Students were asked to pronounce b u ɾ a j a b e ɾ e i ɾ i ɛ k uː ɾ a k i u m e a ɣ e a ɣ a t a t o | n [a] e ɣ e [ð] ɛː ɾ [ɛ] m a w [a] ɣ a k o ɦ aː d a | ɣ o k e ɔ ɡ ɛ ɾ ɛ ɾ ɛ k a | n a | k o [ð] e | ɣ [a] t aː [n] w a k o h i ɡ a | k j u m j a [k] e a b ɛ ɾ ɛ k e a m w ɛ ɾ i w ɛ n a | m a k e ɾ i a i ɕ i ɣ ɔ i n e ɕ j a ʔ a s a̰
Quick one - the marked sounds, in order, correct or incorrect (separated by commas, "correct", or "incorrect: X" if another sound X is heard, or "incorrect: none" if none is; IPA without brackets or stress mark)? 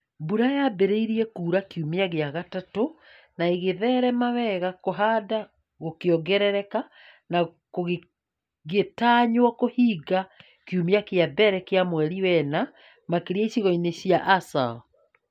correct, correct, correct, incorrect: ɛ, incorrect: ɣ, incorrect: e, incorrect: ɲ, correct